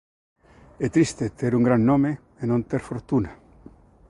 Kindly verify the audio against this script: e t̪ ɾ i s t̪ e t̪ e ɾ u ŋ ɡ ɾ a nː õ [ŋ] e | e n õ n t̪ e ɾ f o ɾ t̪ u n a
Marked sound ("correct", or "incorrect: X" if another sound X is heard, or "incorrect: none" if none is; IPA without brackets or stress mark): incorrect: m